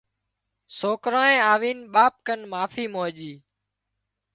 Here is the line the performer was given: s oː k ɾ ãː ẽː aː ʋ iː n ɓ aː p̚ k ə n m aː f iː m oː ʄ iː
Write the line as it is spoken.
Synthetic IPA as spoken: s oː k ɾ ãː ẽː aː ʋ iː n ɓ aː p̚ k ə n m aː f iː m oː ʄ iː